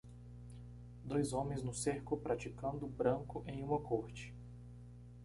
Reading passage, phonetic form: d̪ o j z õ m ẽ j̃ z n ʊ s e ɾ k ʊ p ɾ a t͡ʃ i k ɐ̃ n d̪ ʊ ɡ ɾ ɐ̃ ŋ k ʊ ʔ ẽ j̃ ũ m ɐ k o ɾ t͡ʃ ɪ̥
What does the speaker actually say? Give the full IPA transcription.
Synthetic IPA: d̪ o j z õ m ẽ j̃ z n ʊ s e ɾ k ʊ p ɾ a t͡ʃ i k ɐ̃ n d̪ ʊ b ɾ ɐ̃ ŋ k ʊ ʔ ẽ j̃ ũ m ɐ k o ɾ t͡ʃ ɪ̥